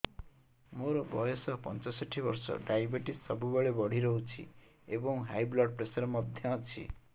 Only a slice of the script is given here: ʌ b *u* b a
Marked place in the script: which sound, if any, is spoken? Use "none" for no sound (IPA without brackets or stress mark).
u